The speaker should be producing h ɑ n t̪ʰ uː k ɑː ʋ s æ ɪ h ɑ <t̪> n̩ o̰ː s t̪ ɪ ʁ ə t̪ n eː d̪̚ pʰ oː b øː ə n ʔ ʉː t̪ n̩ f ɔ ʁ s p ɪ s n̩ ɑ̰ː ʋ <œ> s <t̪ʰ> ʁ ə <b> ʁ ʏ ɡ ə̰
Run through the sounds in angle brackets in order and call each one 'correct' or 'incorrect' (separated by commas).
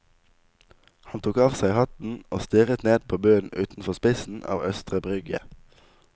correct, correct, incorrect, correct